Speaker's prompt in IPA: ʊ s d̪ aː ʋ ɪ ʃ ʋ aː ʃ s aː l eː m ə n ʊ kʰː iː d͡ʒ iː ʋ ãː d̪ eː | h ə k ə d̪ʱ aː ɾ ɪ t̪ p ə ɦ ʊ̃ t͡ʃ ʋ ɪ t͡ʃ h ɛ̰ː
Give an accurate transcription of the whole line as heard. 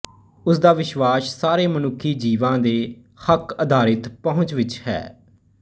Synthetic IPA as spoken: ʊ s d̪ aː ʋ ɪ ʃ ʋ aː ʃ s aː ɾ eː m ə n ʊ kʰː iː d͡ʒ iː ʋ ãː d̪ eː | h ə k ə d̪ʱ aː ɾ ɪ t̪ p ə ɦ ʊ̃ t͡ʃ ʋ ɪ t͡ʃ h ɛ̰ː